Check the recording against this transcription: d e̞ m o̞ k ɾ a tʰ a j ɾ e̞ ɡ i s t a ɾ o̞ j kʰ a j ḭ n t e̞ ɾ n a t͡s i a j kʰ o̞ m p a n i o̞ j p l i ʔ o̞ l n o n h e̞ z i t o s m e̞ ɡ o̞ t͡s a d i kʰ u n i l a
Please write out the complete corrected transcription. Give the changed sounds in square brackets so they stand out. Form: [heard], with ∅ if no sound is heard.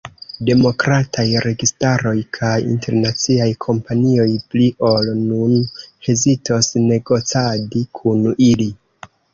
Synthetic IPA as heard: d e̞ m o̞ k ɾ a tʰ a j ɾ e̞ ɡ i s t a ɾ o̞ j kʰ a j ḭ n t e̞ ɾ n a t͡s i a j kʰ o̞ m p a n i o̞ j p l i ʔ o̞ l n [u] n h e̞ z i t o s [n] e̞ ɡ o̞ t͡s a d i kʰ u n i l [i]